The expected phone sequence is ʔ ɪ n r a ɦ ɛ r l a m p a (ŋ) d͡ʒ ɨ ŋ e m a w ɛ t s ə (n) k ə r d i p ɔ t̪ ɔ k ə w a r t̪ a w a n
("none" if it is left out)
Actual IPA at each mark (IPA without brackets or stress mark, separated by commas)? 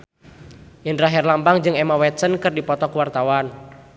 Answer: ŋ, n